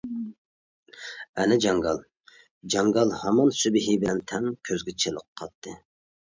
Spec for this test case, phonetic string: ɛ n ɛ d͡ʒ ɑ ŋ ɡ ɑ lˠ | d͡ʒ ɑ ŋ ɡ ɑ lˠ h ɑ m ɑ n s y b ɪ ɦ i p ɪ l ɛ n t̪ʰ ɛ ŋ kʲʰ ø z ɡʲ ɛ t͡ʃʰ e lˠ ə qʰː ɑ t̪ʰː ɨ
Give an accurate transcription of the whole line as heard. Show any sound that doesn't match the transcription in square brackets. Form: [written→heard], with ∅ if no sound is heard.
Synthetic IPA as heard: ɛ n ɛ d͡ʒ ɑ ŋ ɡ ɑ lˠ | d͡ʒ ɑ ŋ ɡ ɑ lˠ h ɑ m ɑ n s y b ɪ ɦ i [p→b] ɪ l ɛ n t̪ʰ ɛ ŋ kʲʰ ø z ɡʲ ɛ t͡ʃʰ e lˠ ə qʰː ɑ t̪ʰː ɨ